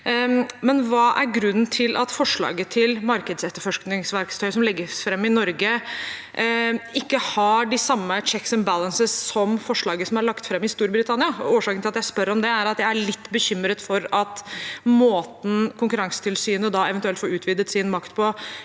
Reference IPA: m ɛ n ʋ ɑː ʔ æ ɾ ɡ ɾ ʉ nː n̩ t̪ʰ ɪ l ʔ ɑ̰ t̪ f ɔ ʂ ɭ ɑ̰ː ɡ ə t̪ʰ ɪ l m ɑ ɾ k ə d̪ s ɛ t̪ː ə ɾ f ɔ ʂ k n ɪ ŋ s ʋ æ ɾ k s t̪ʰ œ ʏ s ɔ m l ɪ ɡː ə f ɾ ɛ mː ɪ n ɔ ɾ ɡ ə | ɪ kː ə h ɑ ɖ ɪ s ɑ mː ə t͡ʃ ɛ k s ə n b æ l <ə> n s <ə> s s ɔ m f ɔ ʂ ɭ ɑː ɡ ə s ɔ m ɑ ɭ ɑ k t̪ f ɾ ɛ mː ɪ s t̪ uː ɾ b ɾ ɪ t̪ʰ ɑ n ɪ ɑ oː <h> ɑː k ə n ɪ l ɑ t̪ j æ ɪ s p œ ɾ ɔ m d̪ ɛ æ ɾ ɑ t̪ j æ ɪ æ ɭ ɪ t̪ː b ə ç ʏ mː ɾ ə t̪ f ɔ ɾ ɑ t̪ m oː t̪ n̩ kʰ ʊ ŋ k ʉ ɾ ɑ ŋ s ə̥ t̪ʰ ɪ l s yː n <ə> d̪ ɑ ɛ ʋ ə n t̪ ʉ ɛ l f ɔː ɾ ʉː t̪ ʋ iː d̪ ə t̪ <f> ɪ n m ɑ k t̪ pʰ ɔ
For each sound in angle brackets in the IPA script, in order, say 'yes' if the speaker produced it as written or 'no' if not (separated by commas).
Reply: yes, yes, no, yes, no